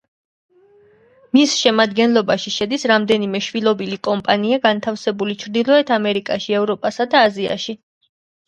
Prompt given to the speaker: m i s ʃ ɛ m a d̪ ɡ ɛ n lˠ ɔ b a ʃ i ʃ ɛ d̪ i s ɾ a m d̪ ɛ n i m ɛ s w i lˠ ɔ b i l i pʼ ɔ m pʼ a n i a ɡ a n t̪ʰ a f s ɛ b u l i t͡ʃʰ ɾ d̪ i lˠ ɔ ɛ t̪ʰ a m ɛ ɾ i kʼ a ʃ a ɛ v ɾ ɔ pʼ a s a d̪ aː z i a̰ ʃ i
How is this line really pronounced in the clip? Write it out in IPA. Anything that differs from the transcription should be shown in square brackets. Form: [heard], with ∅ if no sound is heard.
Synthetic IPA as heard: m i s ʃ ɛ m a d̪ ɡ ɛ n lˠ ɔ b a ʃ i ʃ ɛ d̪ i s ɾ a m d̪ ɛ n i m ɛ [ʃ] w i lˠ ɔ b i l i [kʼ] ɔ m pʼ a n i a ɡ a n t̪ʰ a f s ɛ b u l i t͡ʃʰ ɾ d̪ i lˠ ɔ ɛ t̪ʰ a m ɛ ɾ i kʼ a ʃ [i] ɛ v ɾ ɔ pʼ a s a d̪ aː z i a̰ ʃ i